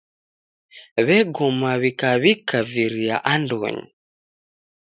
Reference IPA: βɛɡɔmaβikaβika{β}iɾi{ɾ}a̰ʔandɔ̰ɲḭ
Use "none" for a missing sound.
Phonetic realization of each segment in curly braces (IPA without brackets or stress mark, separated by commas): v, none